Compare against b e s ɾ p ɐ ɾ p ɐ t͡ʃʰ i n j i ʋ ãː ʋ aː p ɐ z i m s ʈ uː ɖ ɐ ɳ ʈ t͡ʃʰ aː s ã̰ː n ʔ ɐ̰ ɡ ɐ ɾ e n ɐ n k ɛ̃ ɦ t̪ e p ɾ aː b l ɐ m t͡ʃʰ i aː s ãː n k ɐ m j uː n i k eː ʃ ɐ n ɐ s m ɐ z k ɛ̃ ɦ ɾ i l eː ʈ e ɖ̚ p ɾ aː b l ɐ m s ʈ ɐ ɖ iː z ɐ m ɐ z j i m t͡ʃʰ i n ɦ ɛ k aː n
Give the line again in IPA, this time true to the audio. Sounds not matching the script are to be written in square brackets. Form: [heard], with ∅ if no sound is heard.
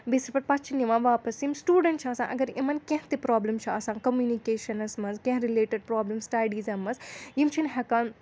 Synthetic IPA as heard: b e s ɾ p ɐ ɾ p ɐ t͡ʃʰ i n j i ʋ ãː ʋ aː p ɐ [s] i m s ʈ uː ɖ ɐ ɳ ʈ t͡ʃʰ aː s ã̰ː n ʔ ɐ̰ ɡ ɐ ɾ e [m] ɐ n k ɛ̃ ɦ t̪ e p ɾ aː b l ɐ m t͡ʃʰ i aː s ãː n k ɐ m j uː n i k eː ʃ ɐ n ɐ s m ɐ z k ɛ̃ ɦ ɾ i l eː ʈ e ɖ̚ p ɾ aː b l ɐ m s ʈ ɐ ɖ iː z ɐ m ɐ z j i m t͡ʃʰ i n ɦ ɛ k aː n